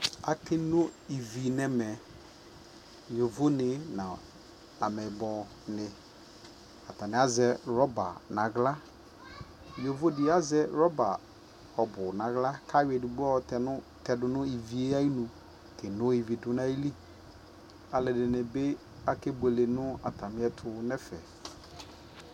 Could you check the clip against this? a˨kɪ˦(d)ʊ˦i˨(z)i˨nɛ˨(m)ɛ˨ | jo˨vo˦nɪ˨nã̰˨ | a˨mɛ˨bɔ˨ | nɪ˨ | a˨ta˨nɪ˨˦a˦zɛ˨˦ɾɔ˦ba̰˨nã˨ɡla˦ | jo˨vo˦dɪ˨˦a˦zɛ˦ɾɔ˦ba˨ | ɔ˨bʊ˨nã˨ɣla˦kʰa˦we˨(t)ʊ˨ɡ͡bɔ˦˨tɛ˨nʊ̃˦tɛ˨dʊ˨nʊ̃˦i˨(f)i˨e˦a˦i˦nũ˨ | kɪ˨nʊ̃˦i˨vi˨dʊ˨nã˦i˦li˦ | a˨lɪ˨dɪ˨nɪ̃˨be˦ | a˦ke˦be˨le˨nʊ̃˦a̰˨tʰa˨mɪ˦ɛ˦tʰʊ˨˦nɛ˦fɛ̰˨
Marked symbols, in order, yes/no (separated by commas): no, no, yes, no, no